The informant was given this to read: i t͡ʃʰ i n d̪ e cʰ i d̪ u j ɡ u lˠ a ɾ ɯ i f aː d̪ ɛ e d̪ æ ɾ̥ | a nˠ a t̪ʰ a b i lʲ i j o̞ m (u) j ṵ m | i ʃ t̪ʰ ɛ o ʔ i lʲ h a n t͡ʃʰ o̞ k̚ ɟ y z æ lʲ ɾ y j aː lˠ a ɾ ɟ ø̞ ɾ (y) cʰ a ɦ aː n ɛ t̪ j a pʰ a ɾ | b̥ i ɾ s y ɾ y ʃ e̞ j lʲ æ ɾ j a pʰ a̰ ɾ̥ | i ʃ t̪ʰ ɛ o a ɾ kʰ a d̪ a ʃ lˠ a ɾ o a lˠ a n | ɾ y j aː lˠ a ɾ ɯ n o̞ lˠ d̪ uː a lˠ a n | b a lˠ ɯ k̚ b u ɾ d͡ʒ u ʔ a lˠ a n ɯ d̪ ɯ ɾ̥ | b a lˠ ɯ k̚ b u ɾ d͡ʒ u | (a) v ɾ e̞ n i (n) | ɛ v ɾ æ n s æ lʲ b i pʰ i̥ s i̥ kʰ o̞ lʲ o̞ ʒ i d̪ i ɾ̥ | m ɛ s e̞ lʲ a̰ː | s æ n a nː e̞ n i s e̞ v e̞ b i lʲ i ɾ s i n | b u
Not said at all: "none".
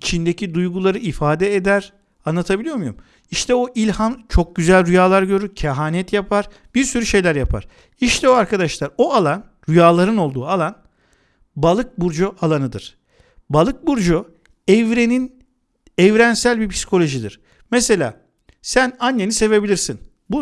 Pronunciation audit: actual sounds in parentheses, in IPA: u, y, ɛ, n

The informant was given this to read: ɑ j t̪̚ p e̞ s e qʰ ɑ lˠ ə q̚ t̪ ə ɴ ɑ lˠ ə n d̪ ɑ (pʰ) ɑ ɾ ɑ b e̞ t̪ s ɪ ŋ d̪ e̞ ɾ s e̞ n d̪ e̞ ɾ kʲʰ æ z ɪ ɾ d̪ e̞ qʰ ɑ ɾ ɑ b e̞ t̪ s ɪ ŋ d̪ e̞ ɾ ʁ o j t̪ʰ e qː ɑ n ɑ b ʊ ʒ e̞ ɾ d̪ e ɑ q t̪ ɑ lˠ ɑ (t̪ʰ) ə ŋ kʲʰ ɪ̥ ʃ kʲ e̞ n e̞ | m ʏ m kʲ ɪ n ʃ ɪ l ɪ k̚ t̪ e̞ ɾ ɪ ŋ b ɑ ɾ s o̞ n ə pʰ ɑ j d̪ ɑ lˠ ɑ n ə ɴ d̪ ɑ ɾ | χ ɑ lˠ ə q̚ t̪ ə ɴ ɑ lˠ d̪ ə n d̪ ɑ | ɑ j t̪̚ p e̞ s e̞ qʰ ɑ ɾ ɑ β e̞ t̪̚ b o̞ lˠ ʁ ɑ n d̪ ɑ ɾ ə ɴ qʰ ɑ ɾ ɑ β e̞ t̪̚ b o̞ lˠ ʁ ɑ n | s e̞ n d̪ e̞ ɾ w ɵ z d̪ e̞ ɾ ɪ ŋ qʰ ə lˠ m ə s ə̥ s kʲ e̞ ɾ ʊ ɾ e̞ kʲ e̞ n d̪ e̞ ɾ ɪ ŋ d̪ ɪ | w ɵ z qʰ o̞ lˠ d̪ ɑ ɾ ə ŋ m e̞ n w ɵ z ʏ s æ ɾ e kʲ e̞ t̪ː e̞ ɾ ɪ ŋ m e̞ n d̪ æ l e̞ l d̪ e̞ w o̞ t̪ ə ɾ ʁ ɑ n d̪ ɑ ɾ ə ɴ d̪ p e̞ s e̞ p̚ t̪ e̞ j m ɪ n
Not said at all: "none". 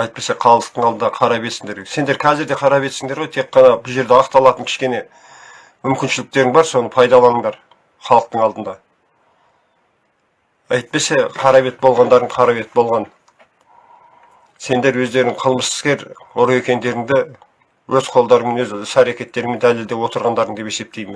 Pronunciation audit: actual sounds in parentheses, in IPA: qʰ, t̪

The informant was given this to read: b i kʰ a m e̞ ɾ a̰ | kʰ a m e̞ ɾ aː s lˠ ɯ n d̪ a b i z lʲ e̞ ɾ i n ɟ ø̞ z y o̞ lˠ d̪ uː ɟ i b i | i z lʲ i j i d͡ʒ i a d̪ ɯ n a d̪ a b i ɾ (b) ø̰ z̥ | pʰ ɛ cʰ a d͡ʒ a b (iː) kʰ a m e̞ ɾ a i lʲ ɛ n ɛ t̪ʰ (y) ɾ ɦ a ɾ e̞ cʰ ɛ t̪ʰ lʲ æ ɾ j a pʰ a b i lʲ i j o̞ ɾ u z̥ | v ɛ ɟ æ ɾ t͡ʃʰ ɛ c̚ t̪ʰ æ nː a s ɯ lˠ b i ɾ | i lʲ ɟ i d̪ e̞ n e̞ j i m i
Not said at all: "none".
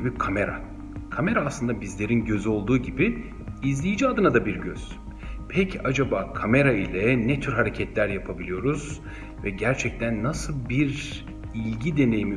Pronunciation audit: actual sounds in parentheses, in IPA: ɟ, aː, y

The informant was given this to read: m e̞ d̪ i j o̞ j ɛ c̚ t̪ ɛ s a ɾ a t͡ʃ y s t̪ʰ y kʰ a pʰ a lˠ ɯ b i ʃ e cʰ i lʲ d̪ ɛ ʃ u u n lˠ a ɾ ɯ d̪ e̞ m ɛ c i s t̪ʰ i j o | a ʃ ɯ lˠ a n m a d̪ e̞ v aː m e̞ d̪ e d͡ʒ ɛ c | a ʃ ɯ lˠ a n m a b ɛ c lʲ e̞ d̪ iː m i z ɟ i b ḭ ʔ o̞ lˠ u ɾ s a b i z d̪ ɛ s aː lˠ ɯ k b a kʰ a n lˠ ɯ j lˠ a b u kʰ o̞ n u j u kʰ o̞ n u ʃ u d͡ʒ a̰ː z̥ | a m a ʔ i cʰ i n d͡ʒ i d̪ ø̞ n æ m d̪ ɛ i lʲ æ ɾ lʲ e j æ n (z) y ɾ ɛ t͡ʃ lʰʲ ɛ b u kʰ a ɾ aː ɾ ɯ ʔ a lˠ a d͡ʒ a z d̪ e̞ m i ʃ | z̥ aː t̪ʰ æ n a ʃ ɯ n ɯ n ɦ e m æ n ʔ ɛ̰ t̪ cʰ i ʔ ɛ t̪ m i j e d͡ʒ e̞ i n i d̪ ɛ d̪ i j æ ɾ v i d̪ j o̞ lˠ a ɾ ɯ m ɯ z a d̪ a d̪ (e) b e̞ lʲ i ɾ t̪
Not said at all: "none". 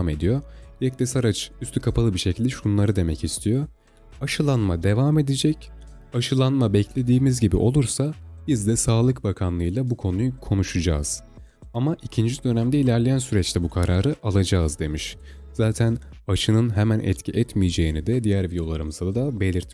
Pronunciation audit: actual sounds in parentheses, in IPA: s, a

